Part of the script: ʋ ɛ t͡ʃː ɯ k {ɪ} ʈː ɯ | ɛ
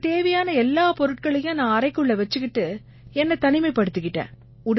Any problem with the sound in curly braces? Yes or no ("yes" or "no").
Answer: no